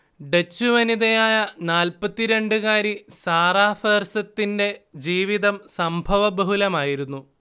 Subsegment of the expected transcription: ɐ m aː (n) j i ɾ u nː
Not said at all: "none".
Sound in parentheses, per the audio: none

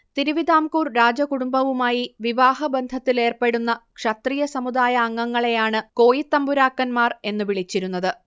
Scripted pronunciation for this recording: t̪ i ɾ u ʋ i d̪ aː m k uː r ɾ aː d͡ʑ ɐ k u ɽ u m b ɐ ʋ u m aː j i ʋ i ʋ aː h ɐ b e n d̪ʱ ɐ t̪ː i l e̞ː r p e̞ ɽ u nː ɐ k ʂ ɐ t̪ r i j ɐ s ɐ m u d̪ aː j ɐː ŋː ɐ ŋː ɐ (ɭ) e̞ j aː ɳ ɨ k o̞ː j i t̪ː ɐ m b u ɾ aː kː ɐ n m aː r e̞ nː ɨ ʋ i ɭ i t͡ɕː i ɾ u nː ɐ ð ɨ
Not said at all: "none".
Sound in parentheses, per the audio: ɭ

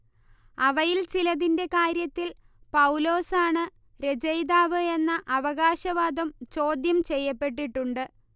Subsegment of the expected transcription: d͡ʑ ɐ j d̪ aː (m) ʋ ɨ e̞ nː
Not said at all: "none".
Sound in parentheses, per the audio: none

